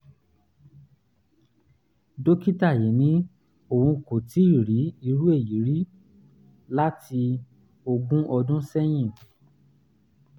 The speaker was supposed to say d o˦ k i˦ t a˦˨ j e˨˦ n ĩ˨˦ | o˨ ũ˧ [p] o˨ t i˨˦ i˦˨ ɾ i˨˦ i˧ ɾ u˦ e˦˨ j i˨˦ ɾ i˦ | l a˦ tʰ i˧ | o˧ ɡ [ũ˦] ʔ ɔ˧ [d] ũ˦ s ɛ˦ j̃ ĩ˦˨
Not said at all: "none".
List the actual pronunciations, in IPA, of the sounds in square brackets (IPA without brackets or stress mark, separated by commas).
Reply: k, ũ˦, d